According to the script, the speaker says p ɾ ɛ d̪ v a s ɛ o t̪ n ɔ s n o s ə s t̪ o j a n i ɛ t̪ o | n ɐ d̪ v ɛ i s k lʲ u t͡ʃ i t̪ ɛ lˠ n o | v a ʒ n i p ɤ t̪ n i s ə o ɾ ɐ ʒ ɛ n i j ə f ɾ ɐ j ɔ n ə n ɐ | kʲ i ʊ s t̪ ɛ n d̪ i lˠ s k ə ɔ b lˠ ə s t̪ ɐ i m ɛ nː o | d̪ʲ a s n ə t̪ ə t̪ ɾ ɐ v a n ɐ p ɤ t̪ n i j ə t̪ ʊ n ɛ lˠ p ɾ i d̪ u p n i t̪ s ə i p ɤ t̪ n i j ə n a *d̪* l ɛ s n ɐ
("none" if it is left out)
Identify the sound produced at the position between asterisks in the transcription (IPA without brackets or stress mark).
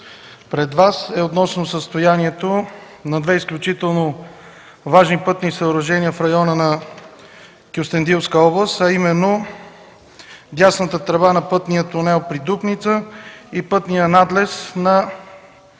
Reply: d̪